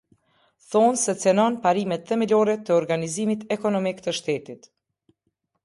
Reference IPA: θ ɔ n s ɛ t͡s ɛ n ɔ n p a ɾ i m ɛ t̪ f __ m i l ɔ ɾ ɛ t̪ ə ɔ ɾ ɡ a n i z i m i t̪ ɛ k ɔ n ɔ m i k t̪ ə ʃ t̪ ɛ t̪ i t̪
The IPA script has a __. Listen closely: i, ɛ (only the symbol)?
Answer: ɛ